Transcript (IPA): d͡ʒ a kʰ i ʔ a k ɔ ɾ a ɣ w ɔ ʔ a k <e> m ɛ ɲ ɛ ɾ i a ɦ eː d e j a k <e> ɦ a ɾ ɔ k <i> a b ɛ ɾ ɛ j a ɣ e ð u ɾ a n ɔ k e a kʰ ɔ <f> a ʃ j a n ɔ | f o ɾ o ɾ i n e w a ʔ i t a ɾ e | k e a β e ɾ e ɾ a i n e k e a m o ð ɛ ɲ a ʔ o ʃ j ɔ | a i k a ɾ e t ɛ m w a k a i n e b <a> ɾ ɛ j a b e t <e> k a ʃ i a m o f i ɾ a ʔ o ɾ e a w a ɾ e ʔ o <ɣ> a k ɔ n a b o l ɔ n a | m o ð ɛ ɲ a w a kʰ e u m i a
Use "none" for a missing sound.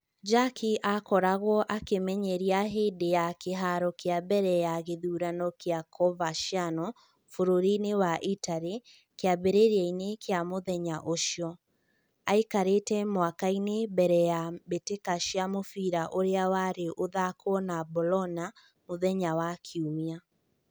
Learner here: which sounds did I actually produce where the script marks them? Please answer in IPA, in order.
e, e, e, v, ɛ, e, ð

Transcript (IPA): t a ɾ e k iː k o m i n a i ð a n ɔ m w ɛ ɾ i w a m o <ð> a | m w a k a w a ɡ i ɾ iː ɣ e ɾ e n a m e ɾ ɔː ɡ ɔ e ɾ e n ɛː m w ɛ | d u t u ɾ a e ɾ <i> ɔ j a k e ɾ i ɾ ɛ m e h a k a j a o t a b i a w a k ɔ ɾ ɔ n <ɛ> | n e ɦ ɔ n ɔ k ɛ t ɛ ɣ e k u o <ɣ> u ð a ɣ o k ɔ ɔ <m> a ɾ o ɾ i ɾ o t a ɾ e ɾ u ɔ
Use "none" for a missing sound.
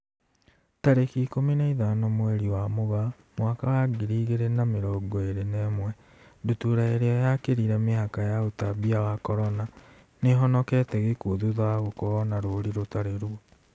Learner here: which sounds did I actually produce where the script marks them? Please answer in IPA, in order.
ɣ, e, a, ð, n

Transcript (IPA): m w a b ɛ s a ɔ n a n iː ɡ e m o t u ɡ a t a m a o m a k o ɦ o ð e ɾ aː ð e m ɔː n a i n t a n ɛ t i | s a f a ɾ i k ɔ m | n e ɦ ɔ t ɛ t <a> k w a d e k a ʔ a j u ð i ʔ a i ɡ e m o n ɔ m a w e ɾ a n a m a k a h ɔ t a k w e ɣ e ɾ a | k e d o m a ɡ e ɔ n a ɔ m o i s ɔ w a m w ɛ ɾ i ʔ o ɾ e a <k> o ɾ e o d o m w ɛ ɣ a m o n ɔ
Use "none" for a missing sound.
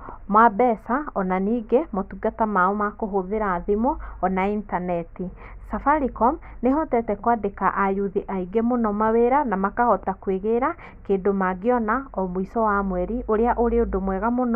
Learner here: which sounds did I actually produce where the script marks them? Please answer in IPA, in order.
ɛ, ʔ

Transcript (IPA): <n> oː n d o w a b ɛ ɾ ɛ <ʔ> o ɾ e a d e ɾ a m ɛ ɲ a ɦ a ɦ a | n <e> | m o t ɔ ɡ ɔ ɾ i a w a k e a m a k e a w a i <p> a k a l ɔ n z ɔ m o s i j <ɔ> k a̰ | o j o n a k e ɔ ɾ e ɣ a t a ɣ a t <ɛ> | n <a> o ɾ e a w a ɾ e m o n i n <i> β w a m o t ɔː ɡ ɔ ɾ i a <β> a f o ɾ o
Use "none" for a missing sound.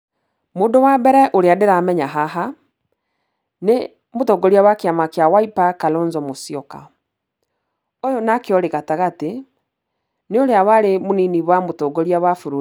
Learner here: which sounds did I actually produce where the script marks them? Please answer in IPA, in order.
m, ʔ, e, p, ɔ, e, e, i, w

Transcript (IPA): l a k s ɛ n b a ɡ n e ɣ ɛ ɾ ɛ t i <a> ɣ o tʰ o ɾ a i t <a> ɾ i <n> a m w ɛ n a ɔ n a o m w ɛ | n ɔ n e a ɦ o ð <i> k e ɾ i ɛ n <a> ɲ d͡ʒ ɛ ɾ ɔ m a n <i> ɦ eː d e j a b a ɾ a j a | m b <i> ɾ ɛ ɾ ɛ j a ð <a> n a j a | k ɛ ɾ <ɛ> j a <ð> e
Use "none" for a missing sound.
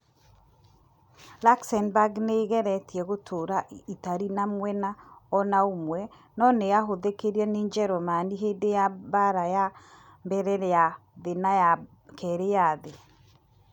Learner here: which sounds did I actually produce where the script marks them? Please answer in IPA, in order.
ɛ, a, n, e, e, i, ɛ, e, e, ð

